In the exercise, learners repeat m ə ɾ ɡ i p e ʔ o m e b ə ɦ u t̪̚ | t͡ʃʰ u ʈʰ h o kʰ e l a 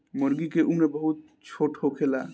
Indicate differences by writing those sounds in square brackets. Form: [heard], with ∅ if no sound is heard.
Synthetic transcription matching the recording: m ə ɾ ɡ i [k] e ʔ [u] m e b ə ɦ u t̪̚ | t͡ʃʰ [o] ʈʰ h o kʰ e l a